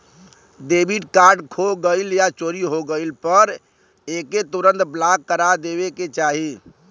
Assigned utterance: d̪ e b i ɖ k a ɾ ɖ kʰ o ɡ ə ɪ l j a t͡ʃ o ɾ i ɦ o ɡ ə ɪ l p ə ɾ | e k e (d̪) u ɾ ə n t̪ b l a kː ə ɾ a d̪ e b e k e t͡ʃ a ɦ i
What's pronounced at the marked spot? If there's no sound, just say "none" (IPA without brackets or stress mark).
t̪